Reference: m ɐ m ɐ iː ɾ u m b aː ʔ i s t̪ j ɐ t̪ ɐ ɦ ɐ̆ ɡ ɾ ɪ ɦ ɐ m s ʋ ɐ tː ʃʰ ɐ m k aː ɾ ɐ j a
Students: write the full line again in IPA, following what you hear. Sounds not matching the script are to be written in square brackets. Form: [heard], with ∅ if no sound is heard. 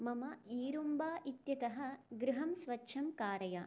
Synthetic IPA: m ɐ m ɐ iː ɾ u m b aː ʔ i [∅] t̪ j ɐ t̪ ɐ ɦ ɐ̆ ɡ ɾ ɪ ɦ ɐ m s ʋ ɐ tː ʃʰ ɐ m k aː ɾ ɐ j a